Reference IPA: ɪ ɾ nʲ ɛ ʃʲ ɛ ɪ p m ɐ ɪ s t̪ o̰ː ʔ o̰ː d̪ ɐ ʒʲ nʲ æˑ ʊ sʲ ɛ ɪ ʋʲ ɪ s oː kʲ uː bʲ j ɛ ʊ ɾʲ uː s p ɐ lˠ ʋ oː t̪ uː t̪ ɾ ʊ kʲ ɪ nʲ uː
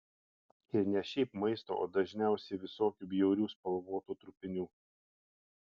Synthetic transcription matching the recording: ɪ ɾ nʲ ɛ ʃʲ ɛ ɪ p m ɐ ɪ s t̪ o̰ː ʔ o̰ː d̪ ɐ ʒʲ nʲ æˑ ʊ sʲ ɛ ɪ ʋʲ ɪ s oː kʲ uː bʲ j ɛ ʊ ɾʲ uː s p ɐ lˠ ʋ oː t̪ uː t̪ ɾ ʊ pʲ ɪ nʲ uː